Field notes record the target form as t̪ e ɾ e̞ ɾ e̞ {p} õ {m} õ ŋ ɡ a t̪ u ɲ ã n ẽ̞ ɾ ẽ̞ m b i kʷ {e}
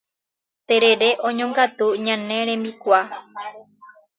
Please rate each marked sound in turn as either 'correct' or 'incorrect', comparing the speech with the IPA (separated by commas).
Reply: incorrect, incorrect, incorrect